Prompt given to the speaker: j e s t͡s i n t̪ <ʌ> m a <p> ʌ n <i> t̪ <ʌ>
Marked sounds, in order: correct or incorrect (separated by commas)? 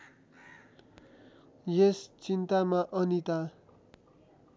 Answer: incorrect, incorrect, correct, incorrect